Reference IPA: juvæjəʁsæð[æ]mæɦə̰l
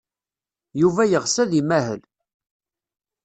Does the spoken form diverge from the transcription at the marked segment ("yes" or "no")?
yes